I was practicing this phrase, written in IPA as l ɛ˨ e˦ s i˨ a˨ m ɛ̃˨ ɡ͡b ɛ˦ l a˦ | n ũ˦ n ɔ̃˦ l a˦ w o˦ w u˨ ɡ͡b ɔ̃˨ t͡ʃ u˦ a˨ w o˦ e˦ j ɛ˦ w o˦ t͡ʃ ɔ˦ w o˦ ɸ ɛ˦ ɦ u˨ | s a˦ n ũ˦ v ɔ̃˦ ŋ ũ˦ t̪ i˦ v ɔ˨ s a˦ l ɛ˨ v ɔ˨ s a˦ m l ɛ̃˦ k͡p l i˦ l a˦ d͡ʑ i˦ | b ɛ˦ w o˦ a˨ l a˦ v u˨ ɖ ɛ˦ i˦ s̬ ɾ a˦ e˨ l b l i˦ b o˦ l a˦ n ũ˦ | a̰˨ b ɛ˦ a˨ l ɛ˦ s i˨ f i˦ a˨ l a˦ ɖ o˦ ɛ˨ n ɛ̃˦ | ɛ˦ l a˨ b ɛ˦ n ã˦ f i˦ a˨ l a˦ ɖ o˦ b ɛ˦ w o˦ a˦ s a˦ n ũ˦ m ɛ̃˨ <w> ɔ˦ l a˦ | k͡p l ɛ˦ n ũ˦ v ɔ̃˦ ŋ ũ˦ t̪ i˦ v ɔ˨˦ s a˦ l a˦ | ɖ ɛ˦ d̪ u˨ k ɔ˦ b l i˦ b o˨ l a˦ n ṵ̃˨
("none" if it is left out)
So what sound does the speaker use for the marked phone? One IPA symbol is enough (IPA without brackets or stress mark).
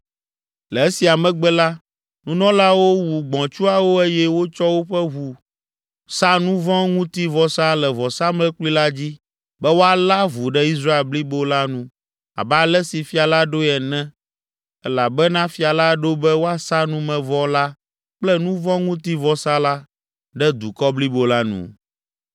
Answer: v